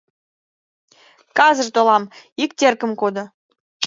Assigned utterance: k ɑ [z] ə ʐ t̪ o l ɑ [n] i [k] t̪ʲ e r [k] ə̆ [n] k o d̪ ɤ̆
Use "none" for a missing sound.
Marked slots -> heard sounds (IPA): z, m, k, k, m

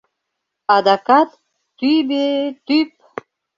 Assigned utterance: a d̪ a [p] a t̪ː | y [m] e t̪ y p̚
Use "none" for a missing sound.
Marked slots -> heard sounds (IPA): k, b

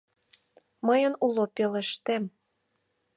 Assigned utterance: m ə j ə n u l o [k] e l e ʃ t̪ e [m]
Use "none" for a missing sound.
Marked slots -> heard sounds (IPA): p, m

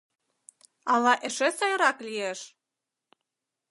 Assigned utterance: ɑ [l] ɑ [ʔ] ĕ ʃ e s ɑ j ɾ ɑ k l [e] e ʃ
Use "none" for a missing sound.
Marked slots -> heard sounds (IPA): l, ʔ, i

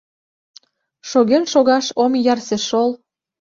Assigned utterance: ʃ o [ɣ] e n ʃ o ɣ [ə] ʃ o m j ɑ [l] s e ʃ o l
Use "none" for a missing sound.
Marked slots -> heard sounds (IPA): ɣ, ɑ, r

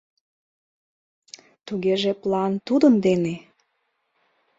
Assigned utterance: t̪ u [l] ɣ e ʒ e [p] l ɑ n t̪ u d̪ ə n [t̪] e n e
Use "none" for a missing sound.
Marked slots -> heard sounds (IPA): none, p, d̪

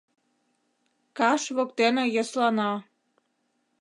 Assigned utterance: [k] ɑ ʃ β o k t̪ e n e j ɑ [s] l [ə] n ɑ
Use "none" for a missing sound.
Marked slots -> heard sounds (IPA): k, s, ɑ

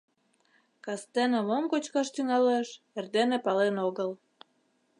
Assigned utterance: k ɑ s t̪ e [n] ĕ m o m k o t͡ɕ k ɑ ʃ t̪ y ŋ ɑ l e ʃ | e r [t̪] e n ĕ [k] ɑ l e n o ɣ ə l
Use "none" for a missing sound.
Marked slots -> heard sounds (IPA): n, d̪, p

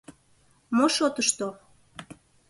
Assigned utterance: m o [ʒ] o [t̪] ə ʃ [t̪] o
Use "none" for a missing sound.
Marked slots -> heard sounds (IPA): ʃ, t̪, t̪

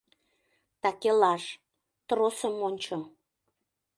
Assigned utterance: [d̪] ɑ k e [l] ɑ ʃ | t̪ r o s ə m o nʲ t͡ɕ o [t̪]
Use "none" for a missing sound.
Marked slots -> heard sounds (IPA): t̪, l, none

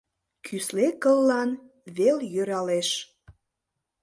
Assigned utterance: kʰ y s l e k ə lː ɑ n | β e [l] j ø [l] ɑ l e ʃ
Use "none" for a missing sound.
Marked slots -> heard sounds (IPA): l, ɾ

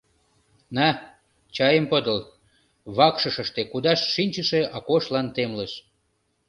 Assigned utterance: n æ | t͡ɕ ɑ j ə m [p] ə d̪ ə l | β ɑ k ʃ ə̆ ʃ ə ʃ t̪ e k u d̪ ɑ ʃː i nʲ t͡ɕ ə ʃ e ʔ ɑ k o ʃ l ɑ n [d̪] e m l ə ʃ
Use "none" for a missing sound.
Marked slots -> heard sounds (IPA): p, t̪

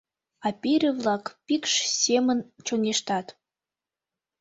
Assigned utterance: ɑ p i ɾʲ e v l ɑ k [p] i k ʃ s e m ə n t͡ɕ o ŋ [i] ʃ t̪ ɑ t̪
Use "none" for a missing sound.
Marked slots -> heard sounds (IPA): p, e

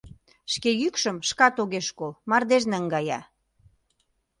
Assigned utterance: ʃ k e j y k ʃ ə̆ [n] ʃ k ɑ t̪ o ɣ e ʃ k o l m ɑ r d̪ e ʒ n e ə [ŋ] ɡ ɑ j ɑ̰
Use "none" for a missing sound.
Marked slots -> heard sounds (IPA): m, ŋ

